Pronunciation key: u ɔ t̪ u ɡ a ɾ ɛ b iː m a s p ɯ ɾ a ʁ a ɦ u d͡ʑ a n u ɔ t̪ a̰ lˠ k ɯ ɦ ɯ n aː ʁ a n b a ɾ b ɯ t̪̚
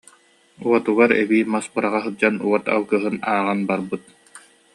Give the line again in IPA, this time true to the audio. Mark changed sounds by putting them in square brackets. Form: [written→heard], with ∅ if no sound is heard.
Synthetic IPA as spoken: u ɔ t̪ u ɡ a ɾ ɛ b iː m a s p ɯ ɾ a ʁ a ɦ [u→ɯ] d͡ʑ a n u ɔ t̪ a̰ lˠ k ɯ ɦ ɯ n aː ʁ a n b a ɾ b ɯ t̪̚